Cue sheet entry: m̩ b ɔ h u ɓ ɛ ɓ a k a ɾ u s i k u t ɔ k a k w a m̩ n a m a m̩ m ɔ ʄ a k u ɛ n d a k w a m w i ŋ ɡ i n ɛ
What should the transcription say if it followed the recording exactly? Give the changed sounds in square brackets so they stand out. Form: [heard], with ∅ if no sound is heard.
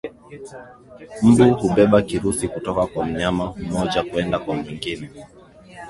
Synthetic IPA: m̩ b [u] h u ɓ ɛ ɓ a k [i] ɾ u s i k u t ɔ k a k w a m̩ [ɲ] a m a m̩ m ɔ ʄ a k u ɛ n d a k w a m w i ŋ ɡ i n ɛ